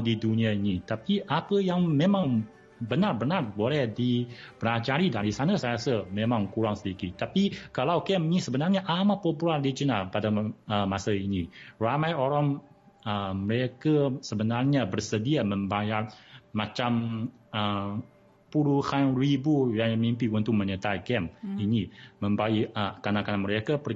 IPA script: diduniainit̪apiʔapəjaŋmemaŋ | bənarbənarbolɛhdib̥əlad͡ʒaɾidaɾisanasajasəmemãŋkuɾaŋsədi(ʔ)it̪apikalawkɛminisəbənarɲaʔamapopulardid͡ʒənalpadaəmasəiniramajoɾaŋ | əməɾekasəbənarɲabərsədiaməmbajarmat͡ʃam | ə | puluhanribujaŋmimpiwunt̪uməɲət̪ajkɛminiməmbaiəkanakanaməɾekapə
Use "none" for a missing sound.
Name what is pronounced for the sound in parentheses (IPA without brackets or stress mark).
k